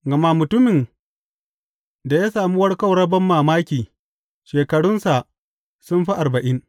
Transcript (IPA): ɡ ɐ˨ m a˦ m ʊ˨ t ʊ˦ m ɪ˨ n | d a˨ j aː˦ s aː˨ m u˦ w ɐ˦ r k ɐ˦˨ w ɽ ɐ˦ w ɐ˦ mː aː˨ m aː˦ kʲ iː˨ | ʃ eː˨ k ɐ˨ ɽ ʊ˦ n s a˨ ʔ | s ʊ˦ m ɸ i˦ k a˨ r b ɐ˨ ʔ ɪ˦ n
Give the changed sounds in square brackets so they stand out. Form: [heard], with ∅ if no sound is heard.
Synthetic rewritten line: ɡ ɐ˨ m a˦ m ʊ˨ t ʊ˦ m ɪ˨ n | d a˨ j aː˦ s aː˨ m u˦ w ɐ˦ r k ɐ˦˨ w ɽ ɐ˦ [b] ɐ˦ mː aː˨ m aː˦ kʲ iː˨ | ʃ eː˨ k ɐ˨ ɽ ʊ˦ n s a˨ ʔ | s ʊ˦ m ɸ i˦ [ʔ] a˨ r b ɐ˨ ʔ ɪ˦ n

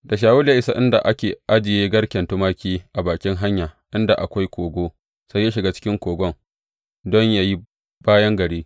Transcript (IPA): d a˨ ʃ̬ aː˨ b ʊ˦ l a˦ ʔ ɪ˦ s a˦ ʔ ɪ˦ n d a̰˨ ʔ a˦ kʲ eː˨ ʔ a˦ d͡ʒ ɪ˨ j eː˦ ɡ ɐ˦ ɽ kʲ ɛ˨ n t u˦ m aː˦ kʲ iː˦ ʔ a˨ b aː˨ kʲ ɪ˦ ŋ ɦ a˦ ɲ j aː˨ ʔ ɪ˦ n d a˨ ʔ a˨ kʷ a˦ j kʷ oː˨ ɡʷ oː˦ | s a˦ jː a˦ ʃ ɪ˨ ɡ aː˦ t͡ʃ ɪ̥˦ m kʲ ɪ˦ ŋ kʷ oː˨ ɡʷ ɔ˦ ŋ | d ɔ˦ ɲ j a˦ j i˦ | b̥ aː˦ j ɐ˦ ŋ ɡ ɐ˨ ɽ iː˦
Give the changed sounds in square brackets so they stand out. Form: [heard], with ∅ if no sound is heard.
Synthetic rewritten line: d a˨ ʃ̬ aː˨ [w] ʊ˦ l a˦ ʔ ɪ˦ s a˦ ʔ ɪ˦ n d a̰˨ ʔ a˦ kʲ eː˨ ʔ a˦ d͡ʒ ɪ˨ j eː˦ ɡ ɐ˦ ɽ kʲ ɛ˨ n t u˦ m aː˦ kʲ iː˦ ʔ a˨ b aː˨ kʲ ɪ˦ ŋ ɦ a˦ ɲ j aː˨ ʔ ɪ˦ n d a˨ ʔ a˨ kʷ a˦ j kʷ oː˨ ɡʷ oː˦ | s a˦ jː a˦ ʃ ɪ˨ ɡ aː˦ t͡ʃ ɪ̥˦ [∅] kʲ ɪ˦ ŋ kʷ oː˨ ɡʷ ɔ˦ ŋ | d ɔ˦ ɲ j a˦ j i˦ | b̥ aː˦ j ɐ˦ ŋ ɡ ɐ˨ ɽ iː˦

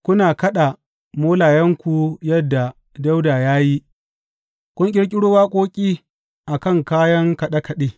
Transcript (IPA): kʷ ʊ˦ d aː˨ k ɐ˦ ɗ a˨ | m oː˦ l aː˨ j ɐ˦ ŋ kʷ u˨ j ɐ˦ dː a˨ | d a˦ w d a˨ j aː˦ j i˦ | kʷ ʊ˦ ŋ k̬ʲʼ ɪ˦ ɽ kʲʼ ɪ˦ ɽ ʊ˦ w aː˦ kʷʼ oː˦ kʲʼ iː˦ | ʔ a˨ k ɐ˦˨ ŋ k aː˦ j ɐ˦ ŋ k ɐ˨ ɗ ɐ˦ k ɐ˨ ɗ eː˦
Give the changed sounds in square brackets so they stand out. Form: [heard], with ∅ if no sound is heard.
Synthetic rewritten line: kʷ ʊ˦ [n] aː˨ k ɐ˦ ɗ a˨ | m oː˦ l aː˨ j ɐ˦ ŋ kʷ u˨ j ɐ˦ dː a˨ | d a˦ w d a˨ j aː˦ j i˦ | kʷ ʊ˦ ŋ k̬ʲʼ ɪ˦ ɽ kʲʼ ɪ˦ ɽ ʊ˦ w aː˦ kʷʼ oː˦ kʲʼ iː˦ | ʔ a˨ k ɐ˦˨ ŋ k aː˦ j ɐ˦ ŋ k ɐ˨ ɗ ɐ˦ k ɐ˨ ɗ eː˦

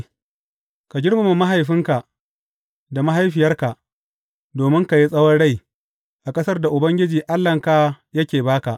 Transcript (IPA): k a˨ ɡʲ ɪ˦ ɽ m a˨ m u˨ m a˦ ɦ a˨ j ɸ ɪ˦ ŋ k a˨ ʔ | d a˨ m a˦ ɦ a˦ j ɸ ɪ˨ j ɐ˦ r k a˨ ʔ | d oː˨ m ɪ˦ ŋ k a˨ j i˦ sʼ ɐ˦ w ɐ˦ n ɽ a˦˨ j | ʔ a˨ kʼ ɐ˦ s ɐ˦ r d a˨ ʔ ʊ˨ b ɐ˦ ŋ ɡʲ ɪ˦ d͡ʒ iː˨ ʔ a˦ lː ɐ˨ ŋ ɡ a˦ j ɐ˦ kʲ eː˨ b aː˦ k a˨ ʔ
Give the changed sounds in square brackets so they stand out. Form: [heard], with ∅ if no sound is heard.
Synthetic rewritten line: k a˨ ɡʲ ɪ˦ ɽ m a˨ m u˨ m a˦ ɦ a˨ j ɸ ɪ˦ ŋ k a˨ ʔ | d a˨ m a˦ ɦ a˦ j ɸ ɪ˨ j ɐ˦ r k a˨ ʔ | d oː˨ m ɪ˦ ŋ k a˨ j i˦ sʼ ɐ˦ w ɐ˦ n ɽ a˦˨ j | ʔ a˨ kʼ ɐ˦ s ɐ˦ r d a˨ ʔ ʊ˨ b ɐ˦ ŋ ɡʲ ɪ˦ d͡ʒ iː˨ ʔ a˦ lː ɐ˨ ŋ [k] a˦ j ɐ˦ kʲ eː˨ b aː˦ k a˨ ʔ

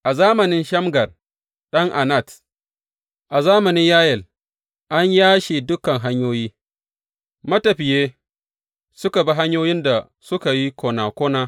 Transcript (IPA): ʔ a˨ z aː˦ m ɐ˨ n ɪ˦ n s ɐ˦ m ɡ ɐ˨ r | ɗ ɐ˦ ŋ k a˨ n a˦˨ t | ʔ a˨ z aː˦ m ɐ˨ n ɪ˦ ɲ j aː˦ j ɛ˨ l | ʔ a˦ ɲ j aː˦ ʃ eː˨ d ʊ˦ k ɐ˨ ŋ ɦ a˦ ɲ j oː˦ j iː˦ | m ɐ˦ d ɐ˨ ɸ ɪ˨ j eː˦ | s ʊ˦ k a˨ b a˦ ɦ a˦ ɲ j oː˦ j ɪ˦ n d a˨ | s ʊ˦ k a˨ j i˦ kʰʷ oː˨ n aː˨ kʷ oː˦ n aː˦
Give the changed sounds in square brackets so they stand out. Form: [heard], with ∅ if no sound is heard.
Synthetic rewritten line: ʔ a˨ z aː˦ m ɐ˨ n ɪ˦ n [ʃ] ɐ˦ m ɡ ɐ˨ r | ɗ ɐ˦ ŋ [ʔ] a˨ n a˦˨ t | ʔ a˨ z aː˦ m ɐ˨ n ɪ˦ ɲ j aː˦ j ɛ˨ l | ʔ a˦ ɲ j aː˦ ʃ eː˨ d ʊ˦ k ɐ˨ ŋ ɦ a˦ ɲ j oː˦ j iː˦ | m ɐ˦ [t] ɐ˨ ɸ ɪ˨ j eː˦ | s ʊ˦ k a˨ b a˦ ɦ a˦ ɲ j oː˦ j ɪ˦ n d a˨ | s ʊ˦ k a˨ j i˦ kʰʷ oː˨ n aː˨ kʷ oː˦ n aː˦

